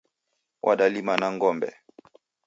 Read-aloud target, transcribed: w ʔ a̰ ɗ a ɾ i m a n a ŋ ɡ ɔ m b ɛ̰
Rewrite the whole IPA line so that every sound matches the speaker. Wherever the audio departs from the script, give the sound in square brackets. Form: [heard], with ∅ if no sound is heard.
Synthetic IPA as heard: w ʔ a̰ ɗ a [l] i m a n a ŋ ɡ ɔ m b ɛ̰